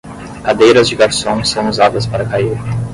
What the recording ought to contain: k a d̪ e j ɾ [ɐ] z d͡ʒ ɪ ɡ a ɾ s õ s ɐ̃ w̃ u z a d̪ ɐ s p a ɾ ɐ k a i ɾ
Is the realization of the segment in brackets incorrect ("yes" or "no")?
no